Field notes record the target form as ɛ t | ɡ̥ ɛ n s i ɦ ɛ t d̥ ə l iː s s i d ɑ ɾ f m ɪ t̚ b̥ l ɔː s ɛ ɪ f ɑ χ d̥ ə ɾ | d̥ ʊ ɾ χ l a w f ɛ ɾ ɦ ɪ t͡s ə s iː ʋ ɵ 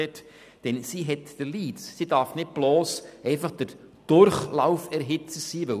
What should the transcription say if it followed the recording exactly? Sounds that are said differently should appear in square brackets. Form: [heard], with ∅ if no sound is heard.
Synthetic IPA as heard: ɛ t | [d̥] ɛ n s i ɦ ɛ t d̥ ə l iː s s i d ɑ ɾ f [n] ɪ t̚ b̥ l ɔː s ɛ ɪ f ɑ χ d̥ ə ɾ | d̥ ʊ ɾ χ l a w f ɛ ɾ ɦ ɪ t͡s ə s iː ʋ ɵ